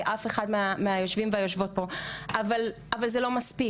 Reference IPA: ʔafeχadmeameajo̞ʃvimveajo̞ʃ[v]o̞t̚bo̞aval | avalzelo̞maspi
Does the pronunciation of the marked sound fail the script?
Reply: no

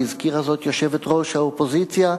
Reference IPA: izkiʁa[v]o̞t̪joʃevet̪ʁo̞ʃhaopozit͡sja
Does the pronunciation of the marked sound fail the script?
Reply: yes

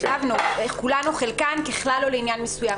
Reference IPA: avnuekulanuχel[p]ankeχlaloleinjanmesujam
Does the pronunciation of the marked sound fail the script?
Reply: yes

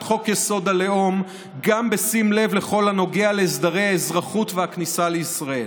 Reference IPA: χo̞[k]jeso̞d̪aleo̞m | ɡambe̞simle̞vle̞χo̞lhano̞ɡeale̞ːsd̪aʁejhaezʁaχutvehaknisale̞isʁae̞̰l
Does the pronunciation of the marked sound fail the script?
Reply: no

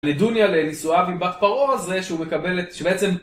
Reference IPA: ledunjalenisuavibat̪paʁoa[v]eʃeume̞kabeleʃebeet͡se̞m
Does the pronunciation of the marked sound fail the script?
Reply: yes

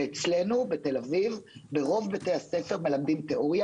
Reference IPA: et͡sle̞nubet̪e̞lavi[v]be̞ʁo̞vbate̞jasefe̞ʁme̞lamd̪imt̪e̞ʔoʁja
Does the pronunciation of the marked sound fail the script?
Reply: no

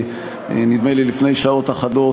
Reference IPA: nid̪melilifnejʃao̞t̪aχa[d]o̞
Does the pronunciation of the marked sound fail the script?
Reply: no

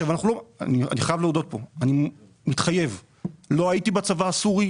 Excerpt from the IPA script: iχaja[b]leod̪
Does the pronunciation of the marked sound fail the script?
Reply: yes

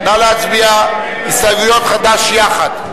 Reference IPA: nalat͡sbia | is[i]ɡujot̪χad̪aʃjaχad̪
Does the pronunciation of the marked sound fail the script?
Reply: yes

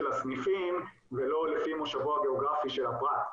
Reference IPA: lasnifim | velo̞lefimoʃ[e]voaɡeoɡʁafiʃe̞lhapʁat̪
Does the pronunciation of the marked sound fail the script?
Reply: yes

